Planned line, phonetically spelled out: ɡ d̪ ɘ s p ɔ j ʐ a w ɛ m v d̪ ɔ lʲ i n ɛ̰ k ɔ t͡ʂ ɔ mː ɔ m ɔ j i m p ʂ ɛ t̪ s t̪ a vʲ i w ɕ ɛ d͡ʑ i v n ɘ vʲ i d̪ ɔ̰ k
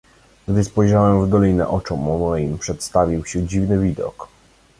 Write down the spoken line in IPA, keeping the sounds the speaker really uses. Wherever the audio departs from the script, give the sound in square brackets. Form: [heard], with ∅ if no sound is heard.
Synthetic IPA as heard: ɡ d̪ ɘ s p ɔ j ʐ a w ɛ m v d̪ ɔ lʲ i n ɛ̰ [ʔ] ɔ t͡ʂ ɔ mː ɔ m ɔ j i m p ʂ ɛ t̪ s t̪ a vʲ i w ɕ ɛ d͡ʑ i v n ɘ vʲ i d̪ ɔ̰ k